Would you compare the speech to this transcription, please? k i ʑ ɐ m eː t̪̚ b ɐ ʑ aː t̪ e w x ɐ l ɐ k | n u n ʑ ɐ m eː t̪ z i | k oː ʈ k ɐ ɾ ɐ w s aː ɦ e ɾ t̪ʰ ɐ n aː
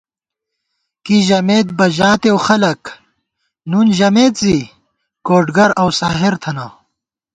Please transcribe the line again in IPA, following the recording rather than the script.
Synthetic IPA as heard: k i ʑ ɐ m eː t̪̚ b ɐ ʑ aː t̪ e w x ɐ l ɐ k | n u n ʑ ɐ m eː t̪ z i | k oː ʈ ɡ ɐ ɾ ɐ w s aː ɦ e ɾ t̪ʰ ɐ n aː